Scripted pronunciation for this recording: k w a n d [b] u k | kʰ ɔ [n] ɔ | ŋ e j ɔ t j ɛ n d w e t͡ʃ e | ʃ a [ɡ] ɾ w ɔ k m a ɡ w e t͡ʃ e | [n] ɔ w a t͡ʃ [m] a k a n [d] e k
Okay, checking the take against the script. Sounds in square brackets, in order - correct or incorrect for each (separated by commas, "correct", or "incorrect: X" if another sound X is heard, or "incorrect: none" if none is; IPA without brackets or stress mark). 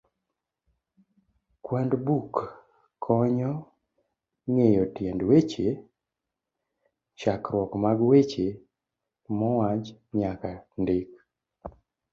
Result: correct, incorrect: ɲ, incorrect: k, incorrect: m, incorrect: ɲ, correct